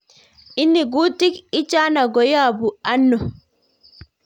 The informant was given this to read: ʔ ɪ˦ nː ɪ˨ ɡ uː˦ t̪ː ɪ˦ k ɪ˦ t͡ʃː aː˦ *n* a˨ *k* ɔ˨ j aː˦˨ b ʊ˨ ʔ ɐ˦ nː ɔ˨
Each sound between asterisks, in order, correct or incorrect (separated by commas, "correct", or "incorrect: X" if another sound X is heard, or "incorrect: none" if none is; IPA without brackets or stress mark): correct, incorrect: ɡ